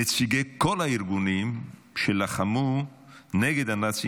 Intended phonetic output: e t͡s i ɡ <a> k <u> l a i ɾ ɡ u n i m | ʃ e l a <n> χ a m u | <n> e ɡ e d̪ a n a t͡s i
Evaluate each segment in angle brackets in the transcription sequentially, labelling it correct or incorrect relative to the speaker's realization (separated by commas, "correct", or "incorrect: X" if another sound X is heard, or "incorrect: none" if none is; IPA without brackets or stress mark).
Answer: incorrect: e, incorrect: o, incorrect: none, correct